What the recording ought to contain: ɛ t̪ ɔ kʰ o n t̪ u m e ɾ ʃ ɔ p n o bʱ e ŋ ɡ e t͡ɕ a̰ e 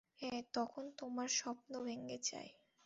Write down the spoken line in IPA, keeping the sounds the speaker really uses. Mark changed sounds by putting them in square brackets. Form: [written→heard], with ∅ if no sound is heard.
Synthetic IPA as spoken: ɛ t̪ ɔ kʰ o n t̪ [u→o] m [e→a] ɾ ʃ ɔ p n o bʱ e ŋ ɡ e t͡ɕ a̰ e